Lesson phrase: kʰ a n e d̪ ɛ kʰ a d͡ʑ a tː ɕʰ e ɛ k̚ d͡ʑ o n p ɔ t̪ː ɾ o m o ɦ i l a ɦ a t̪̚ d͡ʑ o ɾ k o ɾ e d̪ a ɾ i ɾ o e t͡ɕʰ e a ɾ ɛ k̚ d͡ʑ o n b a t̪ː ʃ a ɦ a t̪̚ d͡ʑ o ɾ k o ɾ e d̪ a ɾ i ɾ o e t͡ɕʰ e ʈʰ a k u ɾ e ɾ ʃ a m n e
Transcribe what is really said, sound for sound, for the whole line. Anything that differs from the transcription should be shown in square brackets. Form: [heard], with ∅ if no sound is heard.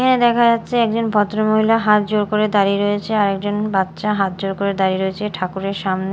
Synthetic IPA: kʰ a n e d̪ ɛ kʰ a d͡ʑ a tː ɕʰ e ɛ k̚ d͡ʑ o n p ɔ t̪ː ɾ o m o ɦ i l a ɦ a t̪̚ d͡ʑ o ɾ k o ɾ e d̪ a ɾ i ɾ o e t͡ɕʰ e a ɾ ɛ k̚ d͡ʑ o n b a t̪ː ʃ a ɦ a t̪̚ d͡ʑ o ɾ k o ɾ e d̪ a ɾ i ɾ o e t͡ɕʰ e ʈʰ a k u ɾ e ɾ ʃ a m n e

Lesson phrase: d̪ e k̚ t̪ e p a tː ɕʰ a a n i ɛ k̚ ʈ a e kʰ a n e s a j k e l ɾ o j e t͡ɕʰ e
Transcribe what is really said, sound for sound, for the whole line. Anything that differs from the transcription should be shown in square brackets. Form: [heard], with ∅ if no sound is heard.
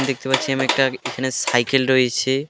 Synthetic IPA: d̪ e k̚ t̪ e p a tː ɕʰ [i] a [m] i ɛ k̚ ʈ a e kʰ a n e s a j k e l ɾ o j e t͡ɕʰ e

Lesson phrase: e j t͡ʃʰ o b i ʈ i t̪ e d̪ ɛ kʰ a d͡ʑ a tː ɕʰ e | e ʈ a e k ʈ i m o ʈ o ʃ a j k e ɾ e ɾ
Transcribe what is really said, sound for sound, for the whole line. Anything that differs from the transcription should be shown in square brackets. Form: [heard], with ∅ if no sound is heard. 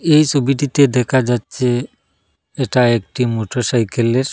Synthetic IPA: e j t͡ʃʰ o b i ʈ i t̪ e d̪ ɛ kʰ a d͡ʑ a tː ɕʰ e | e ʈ a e k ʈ i m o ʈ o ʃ a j k e [l] e ɾ

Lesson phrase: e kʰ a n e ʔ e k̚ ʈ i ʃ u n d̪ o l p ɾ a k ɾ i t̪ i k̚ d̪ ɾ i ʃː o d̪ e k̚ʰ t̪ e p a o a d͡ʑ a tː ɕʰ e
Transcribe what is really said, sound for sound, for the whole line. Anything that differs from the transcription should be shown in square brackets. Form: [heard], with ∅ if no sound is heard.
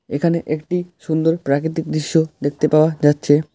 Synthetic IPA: e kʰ a n e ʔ e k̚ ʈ i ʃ u n d̪ o [ɾ] p ɾ a k ɾ i t̪ i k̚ d̪ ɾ i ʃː o d̪ e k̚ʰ t̪ e p a o a d͡ʑ a tː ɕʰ e

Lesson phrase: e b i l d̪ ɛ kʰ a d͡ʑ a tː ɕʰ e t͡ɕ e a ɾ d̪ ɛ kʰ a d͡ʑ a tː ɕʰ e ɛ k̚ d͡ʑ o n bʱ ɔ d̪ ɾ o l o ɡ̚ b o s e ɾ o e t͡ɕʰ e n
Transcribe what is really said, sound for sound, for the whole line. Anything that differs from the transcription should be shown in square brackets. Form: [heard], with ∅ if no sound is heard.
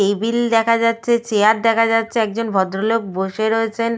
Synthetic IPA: e b i l d̪ ɛ kʰ a d͡ʑ a tː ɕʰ e t͡ɕ e a ɾ d̪ ɛ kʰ a d͡ʑ a tː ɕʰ e ɛ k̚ d͡ʑ o n bʱ ɔ d̪ ɾ o l o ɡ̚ b o [ʃ] e ɾ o e t͡ɕʰ e n

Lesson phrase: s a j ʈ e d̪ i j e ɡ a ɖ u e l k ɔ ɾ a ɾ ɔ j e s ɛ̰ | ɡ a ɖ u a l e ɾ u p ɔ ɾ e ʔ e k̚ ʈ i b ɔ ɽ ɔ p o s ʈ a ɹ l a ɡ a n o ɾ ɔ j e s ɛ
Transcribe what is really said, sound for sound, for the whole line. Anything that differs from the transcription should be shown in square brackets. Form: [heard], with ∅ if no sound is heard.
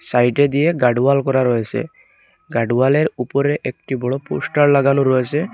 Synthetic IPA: s a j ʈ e d̪ i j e ɡ a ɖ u [a] l k ɔ ɾ a ɾ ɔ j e s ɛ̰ | ɡ a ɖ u a l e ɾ u p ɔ ɾ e ʔ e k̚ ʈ i b ɔ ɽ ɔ p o s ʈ a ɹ l a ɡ a n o ɾ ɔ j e s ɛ

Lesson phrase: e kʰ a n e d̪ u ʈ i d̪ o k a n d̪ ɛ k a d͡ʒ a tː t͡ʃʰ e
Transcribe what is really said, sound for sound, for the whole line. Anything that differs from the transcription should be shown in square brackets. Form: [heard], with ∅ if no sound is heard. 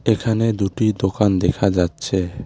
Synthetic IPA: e kʰ a n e d̪ u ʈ i d̪ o k a n d̪ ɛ [kʰ] a d͡ʒ a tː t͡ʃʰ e

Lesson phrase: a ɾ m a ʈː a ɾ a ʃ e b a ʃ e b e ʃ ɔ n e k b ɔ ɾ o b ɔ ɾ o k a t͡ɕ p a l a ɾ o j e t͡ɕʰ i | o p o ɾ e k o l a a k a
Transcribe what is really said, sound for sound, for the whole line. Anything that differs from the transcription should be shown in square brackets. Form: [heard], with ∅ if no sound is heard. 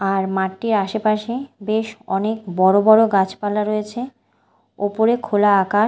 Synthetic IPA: a ɾ m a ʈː [i] ɾ a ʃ e [p] a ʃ e b e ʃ ɔ n e k b ɔ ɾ o b ɔ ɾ o [ɡ] a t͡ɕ p a l a ɾ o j e t͡ɕʰ [e] | o p o ɾ e [kʰ] o l a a k a

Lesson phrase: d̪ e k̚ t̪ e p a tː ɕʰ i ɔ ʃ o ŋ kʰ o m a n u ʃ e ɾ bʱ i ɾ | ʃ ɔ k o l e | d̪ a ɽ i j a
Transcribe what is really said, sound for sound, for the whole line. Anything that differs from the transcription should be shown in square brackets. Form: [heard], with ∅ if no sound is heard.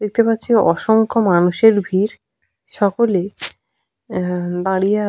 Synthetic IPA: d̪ e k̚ t̪ e p a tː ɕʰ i ɔ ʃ o ŋ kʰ o m a n u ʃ e ɾ bʱ i ɾ | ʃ ɔ k o l e | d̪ a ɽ i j a

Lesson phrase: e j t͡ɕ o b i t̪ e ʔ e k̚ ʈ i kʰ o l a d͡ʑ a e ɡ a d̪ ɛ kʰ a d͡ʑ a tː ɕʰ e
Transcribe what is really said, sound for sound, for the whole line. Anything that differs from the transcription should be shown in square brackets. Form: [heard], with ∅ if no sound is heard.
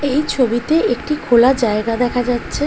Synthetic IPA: e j [t͡ɕʰ] o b i t̪ e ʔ e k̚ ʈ i kʰ o l a d͡ʑ a e ɡ a d̪ ɛ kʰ a d͡ʑ a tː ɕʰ e

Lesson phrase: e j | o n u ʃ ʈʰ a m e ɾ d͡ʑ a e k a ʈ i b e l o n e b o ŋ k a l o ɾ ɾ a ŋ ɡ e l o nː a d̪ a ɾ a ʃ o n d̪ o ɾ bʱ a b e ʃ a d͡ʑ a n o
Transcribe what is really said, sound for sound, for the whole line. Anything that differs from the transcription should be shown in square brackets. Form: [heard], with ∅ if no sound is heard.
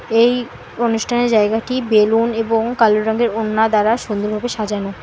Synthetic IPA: e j | o n u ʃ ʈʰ a [n] e ɾ d͡ʑ a e [ɡ] a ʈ i b e l [u] n e b o ŋ k a l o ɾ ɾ a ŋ ɡ e [ɾ] o nː a d̪ a ɾ a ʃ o n d̪ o ɾ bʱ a b e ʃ a d͡ʑ a n o

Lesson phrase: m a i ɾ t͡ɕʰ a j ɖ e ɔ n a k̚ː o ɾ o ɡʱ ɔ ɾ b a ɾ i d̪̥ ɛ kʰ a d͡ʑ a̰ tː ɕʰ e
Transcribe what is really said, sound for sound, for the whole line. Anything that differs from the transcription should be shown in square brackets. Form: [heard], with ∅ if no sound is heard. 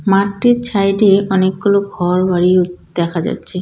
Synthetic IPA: m a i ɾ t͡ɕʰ a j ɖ e ɔ n [e] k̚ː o [l] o ɡʱ ɔ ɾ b a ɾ i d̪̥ ɛ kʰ a d͡ʑ a̰ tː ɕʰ e

